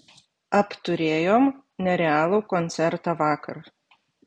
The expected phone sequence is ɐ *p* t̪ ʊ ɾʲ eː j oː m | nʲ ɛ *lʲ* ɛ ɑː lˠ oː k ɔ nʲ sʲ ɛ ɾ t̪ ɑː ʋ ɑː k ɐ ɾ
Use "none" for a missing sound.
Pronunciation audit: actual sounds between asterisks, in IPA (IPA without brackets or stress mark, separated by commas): p, ɾʲ